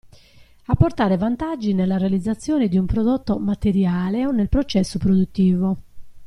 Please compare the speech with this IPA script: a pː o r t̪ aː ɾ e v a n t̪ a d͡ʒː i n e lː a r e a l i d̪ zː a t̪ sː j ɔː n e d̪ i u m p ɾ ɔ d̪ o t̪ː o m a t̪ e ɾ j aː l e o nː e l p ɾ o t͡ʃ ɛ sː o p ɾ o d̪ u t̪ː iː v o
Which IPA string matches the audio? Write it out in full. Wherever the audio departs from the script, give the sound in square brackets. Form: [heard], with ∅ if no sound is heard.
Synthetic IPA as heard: a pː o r t̪ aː ɾ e v a n t̪ a d͡ʒː i n e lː a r e a l i d̪ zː a t̪ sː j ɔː n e d̪ i u m p ɾ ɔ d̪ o t̪ː o m a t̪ e ɾ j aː l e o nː e l p ɾ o t͡ʃ ɛ sː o p ɾ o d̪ u t̪ː iː v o